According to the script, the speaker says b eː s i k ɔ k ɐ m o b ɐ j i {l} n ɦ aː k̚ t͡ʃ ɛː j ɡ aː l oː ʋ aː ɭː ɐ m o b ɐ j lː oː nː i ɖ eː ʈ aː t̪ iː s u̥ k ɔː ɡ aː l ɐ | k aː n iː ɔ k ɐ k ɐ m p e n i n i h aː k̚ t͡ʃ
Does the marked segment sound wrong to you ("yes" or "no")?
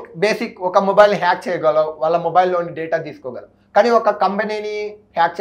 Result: no